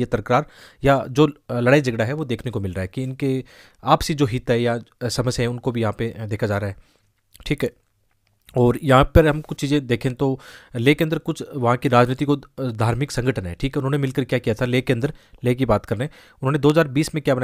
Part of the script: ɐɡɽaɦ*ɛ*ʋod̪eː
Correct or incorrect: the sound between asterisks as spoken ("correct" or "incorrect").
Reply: correct